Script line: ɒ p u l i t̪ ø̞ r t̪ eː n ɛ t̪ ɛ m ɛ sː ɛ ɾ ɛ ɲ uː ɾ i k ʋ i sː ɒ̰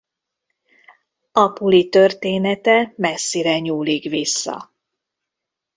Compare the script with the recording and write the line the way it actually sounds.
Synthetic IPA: ɒ p u l i t̪ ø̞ r t̪ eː n ɛ t̪ ɛ m ɛ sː i ɾ ɛ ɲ uː l i k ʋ i sː ɒ̰